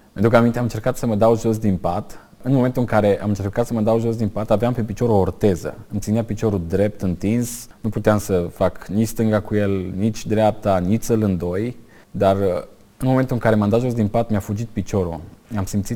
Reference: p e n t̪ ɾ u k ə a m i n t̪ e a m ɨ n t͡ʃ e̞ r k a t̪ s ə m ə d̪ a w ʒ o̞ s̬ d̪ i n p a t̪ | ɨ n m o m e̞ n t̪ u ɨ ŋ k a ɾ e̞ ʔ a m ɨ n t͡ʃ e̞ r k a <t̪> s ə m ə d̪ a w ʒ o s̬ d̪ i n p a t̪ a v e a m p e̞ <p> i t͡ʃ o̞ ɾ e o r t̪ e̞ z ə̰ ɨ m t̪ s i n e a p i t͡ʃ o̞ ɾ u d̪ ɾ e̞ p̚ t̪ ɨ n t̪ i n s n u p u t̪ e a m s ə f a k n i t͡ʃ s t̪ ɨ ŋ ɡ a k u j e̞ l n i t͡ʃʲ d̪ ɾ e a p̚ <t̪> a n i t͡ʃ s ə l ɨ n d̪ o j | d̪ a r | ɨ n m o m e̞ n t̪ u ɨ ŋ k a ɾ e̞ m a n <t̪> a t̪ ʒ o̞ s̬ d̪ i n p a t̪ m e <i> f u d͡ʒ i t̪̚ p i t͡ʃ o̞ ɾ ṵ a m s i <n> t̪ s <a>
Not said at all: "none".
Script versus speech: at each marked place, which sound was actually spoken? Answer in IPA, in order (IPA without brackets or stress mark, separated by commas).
t̪, p, t̪, d̪, a, m, i